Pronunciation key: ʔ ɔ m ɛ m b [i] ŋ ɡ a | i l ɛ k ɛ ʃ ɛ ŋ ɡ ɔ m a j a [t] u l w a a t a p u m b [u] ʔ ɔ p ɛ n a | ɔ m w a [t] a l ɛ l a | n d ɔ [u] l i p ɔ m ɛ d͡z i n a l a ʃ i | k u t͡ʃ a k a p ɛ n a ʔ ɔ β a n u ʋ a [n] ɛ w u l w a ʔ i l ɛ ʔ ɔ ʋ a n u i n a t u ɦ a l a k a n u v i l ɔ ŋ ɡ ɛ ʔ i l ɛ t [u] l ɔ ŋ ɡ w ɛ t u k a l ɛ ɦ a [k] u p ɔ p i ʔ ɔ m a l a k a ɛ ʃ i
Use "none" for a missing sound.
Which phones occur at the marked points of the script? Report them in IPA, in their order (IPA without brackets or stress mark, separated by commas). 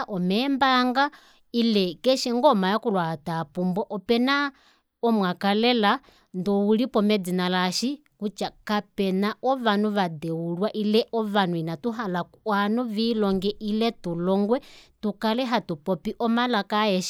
a, k, ɔ, k, u, d, u, t